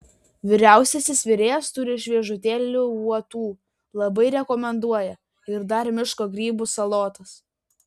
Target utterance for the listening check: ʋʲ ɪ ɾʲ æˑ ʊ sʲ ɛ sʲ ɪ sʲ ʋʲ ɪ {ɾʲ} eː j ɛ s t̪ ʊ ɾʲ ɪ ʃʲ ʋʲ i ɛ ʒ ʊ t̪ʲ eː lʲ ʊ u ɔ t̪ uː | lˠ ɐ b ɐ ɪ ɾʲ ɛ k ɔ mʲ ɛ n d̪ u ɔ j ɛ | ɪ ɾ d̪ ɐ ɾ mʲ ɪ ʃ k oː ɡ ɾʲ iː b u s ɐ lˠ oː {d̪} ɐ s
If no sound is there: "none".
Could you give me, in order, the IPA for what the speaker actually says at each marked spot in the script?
ɾʲ, t̪

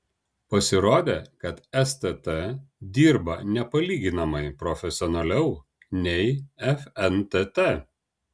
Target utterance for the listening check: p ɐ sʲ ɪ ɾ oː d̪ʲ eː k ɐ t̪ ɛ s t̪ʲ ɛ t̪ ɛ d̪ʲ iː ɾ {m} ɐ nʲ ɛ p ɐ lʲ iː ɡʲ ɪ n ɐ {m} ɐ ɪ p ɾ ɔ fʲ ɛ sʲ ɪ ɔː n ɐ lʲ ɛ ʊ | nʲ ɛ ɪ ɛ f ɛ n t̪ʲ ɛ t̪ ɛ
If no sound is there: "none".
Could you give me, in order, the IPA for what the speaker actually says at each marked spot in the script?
b, m

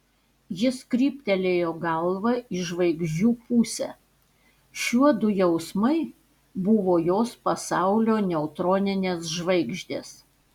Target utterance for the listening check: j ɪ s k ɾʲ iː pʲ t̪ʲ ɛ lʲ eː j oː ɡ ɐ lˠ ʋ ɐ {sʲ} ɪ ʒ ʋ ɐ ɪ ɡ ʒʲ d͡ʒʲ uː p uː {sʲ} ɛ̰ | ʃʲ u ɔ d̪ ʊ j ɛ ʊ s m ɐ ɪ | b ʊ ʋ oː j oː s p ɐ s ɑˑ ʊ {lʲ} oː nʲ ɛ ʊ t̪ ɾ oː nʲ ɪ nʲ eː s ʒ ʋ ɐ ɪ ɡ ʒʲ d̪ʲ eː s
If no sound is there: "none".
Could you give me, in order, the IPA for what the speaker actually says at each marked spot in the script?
none, sʲ, lʲ

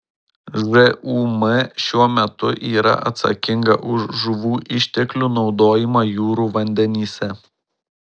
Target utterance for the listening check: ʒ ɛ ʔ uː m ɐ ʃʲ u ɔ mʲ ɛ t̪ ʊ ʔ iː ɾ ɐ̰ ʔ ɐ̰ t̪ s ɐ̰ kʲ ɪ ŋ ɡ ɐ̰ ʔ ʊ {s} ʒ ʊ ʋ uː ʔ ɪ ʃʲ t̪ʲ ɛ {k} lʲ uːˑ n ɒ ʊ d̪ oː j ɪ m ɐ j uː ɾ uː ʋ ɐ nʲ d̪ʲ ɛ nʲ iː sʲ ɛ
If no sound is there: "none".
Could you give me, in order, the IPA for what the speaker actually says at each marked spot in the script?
ʃ, k

